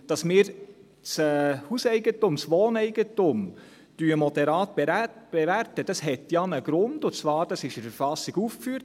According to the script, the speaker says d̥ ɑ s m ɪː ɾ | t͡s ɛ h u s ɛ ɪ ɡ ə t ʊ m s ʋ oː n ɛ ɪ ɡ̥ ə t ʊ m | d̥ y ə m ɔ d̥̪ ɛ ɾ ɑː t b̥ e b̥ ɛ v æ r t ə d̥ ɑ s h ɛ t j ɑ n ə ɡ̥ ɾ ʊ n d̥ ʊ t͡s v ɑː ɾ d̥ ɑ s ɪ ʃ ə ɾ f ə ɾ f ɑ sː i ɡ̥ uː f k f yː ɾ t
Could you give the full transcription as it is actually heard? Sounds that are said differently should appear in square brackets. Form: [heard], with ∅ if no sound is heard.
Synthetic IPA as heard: d̥ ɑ s m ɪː ɾ | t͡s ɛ h u s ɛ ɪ ɡ ə t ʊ m s ʋ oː n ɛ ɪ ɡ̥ ə t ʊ m | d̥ y ə m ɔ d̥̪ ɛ ɾ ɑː t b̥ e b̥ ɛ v æ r t ə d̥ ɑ s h ɛ t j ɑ n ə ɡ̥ ɾ ʊ n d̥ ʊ t͡s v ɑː ɾ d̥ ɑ s ɪ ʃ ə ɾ f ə ɾ f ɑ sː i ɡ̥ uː f k f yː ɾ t